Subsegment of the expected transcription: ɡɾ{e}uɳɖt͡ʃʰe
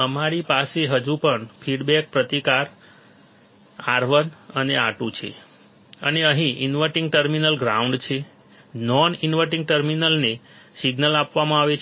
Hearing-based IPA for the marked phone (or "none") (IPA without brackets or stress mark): a